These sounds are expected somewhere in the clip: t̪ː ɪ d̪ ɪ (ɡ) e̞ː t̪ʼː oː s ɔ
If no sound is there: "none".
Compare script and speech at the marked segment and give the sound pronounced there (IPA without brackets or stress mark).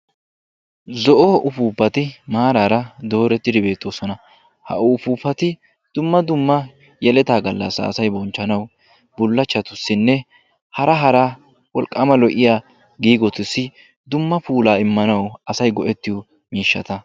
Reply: b